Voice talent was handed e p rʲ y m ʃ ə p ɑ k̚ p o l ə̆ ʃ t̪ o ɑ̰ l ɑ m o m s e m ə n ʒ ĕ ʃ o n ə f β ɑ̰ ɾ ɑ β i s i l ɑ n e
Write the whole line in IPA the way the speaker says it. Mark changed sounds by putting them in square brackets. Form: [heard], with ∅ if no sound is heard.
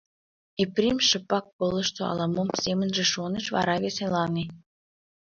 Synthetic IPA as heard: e p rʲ [i] m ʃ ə p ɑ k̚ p o l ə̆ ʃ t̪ o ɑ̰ l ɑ m o m s e m ə n ʒ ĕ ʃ o n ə [ʃ] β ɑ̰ ɾ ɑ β [e] s [e] l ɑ n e